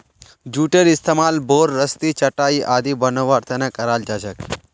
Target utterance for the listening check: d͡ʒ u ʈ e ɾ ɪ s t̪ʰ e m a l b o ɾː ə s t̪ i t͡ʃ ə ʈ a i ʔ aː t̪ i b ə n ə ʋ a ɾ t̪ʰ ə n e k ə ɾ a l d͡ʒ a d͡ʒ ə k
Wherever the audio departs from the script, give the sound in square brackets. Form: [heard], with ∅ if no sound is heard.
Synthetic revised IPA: d͡ʒ u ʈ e ɾ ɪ s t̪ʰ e m a l b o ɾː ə s t̪ i t͡ʃ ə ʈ a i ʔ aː [d̪] i b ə n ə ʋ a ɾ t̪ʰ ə n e k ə ɾ a l d͡ʒ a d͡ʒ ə k